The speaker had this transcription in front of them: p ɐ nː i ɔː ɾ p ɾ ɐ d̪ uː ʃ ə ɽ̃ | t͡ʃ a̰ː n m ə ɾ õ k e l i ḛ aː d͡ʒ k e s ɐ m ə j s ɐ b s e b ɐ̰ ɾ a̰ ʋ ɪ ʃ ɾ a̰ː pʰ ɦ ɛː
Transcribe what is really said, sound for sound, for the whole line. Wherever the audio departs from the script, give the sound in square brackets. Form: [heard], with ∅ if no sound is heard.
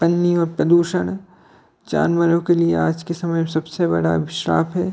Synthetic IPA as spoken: p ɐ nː i ɔː ɾ p ɾ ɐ d̪ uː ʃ ə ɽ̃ | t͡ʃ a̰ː n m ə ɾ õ k e l i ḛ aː d͡ʒ k e s ɐ m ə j s ɐ b s e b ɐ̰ [ɽ] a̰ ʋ ɪ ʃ ɾ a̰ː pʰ ɦ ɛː